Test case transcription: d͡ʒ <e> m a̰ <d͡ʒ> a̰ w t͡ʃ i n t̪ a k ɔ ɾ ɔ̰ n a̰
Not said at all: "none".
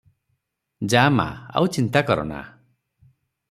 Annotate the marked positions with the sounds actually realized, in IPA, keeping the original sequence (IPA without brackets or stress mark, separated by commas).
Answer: a, none